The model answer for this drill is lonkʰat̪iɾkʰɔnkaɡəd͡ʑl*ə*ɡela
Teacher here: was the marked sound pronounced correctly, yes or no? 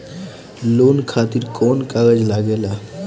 no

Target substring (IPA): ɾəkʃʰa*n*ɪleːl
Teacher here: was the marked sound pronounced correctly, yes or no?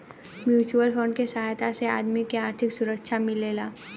no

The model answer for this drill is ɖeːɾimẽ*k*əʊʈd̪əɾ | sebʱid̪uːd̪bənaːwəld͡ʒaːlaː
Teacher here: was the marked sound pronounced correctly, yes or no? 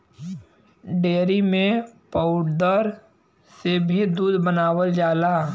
no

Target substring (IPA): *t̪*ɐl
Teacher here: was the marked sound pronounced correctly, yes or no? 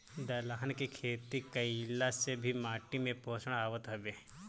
no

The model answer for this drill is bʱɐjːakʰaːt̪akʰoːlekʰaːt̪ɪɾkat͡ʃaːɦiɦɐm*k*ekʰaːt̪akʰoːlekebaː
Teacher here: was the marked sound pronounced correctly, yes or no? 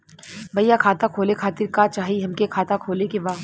yes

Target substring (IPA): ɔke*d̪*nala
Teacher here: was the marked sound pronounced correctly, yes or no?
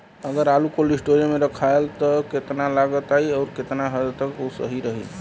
no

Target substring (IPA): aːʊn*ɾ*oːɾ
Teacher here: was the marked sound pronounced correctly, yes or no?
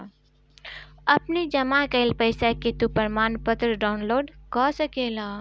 no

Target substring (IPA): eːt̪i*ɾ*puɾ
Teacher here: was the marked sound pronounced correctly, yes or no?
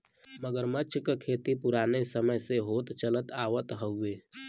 no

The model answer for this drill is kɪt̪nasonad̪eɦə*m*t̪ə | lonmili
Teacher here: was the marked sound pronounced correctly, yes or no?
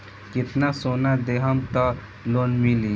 yes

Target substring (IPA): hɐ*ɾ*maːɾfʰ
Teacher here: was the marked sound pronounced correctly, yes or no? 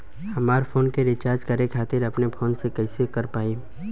no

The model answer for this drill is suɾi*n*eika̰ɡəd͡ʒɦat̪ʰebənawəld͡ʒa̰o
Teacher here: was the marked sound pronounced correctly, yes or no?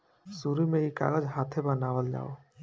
no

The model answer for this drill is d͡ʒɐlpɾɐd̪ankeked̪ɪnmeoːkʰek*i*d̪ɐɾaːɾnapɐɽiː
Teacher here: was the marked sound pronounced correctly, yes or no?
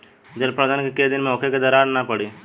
no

